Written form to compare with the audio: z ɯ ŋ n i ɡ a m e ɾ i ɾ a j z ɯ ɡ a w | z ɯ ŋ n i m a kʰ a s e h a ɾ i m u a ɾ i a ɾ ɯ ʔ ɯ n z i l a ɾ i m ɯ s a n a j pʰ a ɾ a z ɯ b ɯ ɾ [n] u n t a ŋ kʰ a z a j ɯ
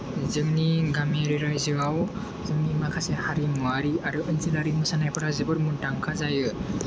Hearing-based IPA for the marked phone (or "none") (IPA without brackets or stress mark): m